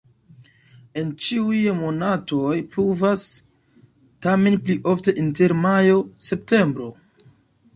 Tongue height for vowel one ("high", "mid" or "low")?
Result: mid